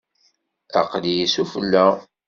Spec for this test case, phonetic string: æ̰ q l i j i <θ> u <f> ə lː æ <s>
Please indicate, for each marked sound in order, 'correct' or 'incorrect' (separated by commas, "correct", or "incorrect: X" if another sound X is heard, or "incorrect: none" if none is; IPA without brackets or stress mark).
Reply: incorrect: s, correct, incorrect: none